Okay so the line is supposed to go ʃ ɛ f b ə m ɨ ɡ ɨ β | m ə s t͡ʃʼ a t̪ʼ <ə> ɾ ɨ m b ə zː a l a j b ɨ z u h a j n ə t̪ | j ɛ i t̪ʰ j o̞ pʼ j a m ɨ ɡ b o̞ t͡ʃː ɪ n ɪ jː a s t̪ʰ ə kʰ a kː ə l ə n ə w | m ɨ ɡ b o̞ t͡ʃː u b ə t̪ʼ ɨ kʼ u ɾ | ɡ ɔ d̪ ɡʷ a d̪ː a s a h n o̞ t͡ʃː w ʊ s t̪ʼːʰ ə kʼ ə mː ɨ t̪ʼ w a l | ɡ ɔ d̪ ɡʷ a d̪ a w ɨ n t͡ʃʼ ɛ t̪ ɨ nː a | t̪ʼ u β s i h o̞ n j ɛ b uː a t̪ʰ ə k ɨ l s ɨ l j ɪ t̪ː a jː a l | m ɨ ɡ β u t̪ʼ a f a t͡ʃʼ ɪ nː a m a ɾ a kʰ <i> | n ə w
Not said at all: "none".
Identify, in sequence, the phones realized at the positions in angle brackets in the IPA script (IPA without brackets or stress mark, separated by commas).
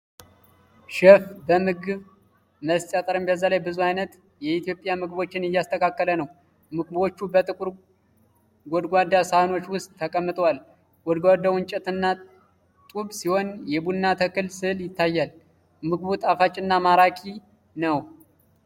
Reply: ə, i